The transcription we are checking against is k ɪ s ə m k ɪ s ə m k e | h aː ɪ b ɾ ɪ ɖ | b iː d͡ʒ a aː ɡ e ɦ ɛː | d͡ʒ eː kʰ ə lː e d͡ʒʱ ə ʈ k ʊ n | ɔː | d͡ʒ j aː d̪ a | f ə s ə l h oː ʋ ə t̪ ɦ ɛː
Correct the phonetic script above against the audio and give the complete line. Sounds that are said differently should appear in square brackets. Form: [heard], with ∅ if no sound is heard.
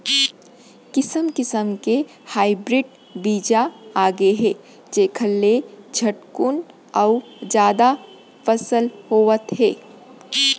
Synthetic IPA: k ɪ s ə m k ɪ s ə m k e | h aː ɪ b ɾ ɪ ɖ | b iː d͡ʒ a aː ɡ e ɦ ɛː | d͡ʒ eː kʰ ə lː e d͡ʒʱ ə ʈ k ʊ n | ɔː | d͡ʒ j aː d̪ a | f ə s ə l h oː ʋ ə t̪ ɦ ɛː